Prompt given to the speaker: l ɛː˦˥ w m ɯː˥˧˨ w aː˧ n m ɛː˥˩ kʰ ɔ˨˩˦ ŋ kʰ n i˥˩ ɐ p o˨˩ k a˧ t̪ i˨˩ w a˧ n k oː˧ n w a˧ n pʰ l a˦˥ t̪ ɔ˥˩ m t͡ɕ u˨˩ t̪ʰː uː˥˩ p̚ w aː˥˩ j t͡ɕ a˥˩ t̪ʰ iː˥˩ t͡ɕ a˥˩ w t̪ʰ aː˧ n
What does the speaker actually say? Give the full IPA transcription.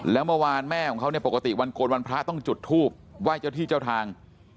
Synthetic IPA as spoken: l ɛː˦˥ w m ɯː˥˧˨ w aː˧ n m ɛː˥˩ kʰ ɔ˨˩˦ ŋ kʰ n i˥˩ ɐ p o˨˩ k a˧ t̪ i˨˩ w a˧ n k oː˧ n w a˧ n pʰ ɾ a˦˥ t̪ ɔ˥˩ ŋ t͡ɕ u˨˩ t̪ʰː uː˥˩ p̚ w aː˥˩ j t͡ɕ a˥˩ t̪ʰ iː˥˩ t͡ɕ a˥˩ w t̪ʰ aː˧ ŋ

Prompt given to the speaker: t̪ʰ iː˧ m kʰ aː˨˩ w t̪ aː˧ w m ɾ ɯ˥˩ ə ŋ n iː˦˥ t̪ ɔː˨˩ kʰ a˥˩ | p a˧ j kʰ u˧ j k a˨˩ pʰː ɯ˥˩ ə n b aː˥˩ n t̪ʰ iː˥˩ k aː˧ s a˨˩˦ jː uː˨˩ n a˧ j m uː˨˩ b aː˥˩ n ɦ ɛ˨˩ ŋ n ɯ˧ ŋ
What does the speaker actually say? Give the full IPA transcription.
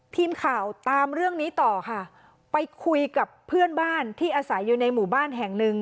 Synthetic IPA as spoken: t̪ʰ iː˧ m kʰ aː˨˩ w t̪ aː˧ m ɾ ɯ˥˩ ə ŋ n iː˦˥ t̪ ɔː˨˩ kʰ a˥˩ | p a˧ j kʰ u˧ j k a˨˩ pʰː ɯ˥˩ ə n b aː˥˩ n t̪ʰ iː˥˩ ʔ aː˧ s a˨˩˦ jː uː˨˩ n a˧ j m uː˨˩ b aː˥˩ n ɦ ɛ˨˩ ŋ n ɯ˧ ŋ

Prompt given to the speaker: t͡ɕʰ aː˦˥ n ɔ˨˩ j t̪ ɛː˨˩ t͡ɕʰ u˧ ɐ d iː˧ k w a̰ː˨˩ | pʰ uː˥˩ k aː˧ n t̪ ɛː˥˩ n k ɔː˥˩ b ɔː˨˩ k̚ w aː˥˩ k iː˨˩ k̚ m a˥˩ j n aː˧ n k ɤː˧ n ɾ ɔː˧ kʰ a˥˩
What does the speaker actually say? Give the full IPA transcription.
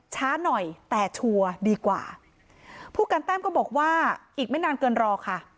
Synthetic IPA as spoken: t͡ɕʰ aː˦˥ n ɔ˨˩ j t̪ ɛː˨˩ t͡ɕʰ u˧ ɐ d iː˧ k w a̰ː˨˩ | pʰ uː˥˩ k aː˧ n t̪ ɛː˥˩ m k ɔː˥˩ b ɔː˨˩ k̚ w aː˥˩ ʔ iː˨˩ k̚ m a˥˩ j n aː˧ n k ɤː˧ n ɾ ɔː˧ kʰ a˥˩

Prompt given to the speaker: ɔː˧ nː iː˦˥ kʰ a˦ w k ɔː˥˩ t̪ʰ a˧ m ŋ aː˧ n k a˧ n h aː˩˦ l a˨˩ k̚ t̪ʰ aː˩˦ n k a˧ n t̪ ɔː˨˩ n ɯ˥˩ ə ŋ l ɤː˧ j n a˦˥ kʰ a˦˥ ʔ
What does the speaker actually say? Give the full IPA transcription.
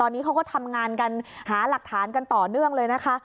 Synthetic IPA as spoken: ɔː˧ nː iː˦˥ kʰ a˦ w k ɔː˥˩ t̪ʰ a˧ m ŋ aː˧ n k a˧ n h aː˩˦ l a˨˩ k̚ t̪ʰ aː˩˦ n k a˧ n t̪ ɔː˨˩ n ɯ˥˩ ə ŋ l ɤː˧ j n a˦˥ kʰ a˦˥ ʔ

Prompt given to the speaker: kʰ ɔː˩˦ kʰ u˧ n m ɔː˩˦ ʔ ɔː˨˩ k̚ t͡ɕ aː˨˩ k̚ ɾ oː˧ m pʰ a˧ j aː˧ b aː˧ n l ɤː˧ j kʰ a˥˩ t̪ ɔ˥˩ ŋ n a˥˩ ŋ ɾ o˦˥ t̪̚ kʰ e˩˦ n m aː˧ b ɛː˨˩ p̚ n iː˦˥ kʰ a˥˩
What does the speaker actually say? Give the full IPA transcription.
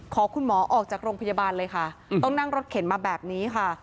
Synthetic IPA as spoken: kʰ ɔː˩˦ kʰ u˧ n m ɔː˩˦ ʔ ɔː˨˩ k̚ t͡ɕ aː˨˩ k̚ ɾ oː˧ ŋ pʰ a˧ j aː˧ b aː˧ n l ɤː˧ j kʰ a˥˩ t̪ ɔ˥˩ ŋ n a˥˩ ŋ ɾ o˦˥ t̪̚ kʰ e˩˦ n m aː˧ b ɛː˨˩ p̚ n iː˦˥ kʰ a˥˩

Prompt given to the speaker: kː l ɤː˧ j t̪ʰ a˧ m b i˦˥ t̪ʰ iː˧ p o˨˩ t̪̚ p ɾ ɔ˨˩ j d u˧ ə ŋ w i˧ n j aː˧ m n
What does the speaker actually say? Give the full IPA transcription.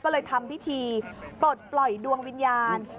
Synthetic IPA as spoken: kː l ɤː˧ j t̪ʰ a˧ m p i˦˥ t̪ʰ iː˧ p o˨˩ t̪̚ p l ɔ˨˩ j d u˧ ə ŋ w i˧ n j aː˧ n

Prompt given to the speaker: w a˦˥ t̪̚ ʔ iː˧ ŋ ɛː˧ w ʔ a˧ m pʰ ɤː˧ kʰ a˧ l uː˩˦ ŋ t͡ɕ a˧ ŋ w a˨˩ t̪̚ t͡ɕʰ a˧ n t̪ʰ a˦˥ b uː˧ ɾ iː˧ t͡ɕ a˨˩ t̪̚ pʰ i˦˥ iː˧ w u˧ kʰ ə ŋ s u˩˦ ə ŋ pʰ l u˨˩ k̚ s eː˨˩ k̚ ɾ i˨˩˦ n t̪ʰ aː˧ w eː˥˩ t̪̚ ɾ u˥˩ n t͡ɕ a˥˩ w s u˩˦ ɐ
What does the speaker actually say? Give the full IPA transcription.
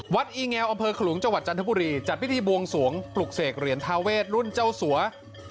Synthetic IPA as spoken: w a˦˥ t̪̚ ʔ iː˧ ŋ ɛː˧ w ʔ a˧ m pʰ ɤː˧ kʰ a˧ l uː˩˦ ŋ t͡ɕ a˧ ŋ w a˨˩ t̪̚ t͡ɕ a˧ n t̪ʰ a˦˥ b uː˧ ɾ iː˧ t͡ɕ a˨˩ t̪̚ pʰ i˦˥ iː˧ b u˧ ə ŋ s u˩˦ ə ŋ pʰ l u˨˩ k̚ s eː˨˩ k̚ ɾ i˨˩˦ n t̪ʰ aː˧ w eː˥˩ t̪̚ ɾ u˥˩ n t͡ɕ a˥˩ w s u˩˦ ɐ

